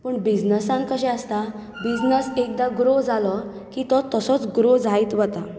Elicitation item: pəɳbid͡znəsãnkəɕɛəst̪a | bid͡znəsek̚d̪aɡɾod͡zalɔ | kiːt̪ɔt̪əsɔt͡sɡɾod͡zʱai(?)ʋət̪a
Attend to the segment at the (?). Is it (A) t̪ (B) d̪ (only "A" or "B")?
A